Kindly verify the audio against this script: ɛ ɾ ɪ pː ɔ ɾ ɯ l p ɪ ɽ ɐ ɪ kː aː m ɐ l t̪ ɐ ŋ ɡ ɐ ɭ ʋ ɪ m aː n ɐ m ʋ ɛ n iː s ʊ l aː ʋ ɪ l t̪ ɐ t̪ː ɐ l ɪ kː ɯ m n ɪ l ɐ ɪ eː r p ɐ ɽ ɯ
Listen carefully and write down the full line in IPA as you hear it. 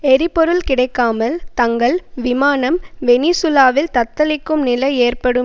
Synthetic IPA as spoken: ɛ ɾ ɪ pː ɔ ɾ ɯ l k ɪ ɽ ɐ ɪ kː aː m ɐ l t̪ ɐ ŋ ɡ ɐ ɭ ʋ ɪ m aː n ɐ m ʋ ɛ n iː s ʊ l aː ʋ ɪ l t̪ ɐ t̪ː ɐ l ɪ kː ɯ m n ɪ l ɐ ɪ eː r p ɐ ɽ ɯ

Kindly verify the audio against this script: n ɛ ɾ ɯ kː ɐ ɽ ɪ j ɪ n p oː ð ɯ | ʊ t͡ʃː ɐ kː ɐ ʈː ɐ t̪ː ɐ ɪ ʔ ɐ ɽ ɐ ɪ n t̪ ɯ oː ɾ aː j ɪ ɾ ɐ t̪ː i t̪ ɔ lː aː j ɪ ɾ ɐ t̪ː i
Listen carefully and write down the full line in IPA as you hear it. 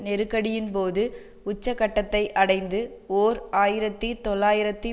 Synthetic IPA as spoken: n ɛ ɾ ɯ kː ɐ ɽ ɪ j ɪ n p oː ð ɯ | ʊ t͡ʃː ɐ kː ɐ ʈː ɐ t̪ː ɐ ɪ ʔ ɐ ɽ ɐ ɪ n d̪ ɯ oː ɾ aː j ɪ ɾ ɐ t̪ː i t̪ ɔ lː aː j ɪ ɾ ɐ t̪ː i

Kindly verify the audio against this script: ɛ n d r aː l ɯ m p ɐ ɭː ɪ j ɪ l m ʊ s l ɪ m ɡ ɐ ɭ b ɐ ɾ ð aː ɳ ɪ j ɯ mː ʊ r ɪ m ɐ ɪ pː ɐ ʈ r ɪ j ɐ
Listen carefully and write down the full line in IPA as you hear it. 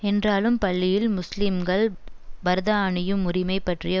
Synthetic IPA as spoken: ɛ n d r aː l ɯ m p ɐ ɭː ɪ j ɪ l m ʊ s l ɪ m ɡ ɐ ɭ b ɐ ɾ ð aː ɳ ɪ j ɯ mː ʊ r ɪ m ɐ ɪ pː ɐ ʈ r ɪ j ɐ

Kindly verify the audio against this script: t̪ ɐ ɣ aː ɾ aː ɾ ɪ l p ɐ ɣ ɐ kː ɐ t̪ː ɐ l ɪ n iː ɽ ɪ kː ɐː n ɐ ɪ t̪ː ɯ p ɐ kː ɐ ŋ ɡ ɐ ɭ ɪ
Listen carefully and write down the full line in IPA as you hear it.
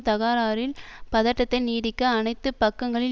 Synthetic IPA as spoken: t̪ ɐ ɣ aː ɾ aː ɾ ɪ l p ɐ ð ɐ ʈː ɐ t̪ː ɐ ɪ n iː ɽ ɪ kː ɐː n ɐ ɪ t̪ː ɯ p ɐ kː ɐ ŋ ɡ ɐ ɭ ɪ

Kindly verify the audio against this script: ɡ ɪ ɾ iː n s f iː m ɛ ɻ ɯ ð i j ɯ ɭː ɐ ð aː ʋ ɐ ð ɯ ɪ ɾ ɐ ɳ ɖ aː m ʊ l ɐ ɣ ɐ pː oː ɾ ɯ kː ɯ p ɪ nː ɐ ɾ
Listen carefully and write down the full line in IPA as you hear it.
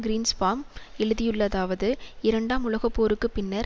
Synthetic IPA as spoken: ɡ ɪ ɾ iː n s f aː m ɛ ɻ ɯ ð ɪ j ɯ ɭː ɐ ð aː ʋ ɐ ð ɯ ɪ ɾ ɐ ɳ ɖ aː m ʊ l ɐ ɣ ɐ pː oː ɾ ɯ kː ɯ p ɪ nː ɐ ɾ

